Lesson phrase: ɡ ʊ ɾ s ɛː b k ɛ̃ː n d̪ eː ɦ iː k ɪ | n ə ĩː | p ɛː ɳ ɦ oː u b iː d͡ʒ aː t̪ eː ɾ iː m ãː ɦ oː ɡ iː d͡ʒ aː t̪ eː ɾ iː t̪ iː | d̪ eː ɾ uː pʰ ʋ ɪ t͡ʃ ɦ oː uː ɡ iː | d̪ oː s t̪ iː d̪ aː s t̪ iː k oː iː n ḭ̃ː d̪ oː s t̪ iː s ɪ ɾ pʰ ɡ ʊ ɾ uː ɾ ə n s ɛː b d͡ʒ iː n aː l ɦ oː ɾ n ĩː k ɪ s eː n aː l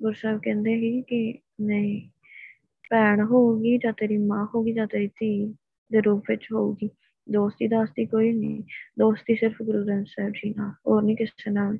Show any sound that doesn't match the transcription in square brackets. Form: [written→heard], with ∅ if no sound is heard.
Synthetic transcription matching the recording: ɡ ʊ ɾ s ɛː b k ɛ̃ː n d̪ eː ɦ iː k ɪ | n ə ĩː | p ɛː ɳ ɦ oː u [b→ɡ] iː d͡ʒ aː t̪ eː ɾ iː m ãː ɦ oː ɡ iː d͡ʒ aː t̪ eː ɾ iː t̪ iː | d̪ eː ɾ uː pʰ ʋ ɪ t͡ʃ ɦ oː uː ɡ iː | d̪ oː s t̪ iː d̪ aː s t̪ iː k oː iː n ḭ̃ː d̪ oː s t̪ iː s ɪ ɾ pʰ ɡ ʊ ɾ uː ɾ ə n s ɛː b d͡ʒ iː n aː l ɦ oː ɾ n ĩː k ɪ s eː n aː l